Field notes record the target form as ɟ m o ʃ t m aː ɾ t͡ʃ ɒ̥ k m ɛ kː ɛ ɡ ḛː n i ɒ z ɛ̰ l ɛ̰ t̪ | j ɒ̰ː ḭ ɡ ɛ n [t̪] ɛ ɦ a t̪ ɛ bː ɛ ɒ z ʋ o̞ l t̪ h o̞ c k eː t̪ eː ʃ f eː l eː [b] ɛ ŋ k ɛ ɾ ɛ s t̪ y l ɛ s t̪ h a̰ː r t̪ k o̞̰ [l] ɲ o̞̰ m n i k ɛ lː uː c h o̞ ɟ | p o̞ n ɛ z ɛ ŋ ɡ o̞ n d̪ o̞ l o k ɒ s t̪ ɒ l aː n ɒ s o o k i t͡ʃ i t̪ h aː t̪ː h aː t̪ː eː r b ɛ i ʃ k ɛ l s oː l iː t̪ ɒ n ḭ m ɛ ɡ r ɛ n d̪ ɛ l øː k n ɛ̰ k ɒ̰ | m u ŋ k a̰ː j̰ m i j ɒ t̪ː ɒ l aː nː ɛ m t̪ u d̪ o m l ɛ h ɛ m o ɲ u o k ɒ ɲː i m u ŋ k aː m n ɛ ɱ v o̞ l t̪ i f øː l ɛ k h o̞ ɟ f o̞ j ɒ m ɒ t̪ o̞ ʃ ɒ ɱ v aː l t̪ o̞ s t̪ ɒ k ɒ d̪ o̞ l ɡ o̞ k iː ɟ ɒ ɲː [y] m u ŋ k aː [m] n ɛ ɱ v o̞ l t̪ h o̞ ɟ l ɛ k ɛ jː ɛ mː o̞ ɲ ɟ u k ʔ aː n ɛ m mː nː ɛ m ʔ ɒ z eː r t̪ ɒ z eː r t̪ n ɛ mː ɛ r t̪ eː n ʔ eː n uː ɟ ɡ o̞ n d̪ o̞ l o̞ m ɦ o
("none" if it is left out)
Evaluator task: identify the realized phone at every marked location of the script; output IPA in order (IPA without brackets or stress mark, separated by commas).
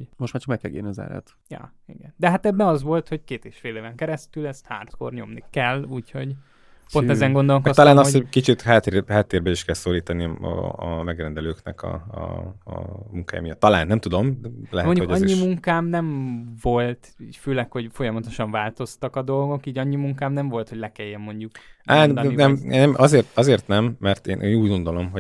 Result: d̪, v, r, i, m